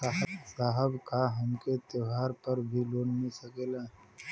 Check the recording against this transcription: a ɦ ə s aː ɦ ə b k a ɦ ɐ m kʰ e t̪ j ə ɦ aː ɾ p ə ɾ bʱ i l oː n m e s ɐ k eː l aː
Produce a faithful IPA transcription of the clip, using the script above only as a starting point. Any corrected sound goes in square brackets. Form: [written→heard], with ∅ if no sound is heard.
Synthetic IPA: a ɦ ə s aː ɦ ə b k a ɦ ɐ m [kʰ→k] e t̪ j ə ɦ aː ɾ p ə ɾ bʱ i l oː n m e s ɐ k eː l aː